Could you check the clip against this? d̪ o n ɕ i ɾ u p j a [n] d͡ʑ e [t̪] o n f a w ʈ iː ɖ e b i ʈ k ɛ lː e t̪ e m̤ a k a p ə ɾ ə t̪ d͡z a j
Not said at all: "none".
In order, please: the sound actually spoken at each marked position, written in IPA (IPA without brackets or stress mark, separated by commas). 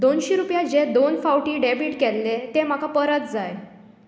none, d̪